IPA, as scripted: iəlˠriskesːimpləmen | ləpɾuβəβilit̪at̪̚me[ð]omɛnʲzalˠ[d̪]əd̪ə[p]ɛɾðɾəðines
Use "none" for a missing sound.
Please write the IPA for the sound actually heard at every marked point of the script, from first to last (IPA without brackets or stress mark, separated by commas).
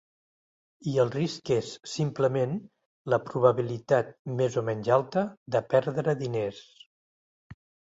z, t̪, p